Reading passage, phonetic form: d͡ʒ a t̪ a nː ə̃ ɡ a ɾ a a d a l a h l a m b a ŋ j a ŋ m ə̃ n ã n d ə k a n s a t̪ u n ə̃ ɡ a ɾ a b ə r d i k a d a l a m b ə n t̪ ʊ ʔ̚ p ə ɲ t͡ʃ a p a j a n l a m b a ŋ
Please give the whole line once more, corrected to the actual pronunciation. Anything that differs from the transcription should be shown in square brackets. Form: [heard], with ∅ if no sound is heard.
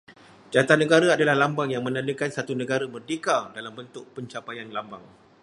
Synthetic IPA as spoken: d͡ʒ a t̪ a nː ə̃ ɡ a ɾ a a d a l a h l a m b a ŋ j a ŋ m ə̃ n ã n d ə k a n s a t̪ u n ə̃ ɡ a ɾ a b ə r d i k a d a l a m b ə n t̪ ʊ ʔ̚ p ə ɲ t͡ʃ a p a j a n l a m b a ŋ